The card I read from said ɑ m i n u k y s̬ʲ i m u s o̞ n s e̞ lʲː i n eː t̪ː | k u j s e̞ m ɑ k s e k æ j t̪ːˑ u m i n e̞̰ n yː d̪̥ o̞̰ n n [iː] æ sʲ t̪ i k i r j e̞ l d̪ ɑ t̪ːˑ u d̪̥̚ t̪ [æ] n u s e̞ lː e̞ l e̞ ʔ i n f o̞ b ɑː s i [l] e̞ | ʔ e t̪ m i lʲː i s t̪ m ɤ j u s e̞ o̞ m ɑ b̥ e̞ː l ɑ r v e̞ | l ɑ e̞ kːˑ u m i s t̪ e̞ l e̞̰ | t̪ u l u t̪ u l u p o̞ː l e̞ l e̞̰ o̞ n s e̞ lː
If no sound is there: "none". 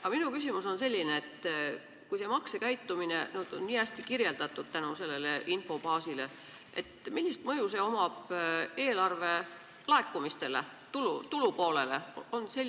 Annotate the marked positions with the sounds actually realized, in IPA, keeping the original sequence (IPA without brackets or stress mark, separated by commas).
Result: iː, æ, l